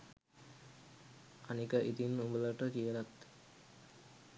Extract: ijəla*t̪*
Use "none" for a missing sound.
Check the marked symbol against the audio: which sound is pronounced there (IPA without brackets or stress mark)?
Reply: t̪